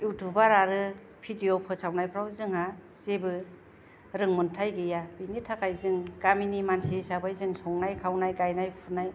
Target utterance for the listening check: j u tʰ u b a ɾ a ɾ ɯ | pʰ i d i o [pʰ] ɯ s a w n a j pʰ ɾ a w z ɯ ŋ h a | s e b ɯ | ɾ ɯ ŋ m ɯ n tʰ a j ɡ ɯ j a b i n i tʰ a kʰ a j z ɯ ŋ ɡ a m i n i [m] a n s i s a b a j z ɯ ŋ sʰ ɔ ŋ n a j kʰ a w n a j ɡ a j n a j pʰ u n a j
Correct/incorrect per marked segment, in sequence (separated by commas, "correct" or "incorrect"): correct, correct